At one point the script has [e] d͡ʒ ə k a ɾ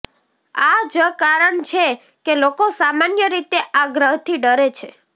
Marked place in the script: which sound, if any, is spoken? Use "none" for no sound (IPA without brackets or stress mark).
a